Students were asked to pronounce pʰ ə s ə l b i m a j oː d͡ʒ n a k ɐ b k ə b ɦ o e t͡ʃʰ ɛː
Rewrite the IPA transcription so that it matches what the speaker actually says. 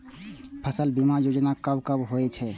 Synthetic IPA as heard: pʰ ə s ə l b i m a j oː d͡ʒ n a k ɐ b k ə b ɦ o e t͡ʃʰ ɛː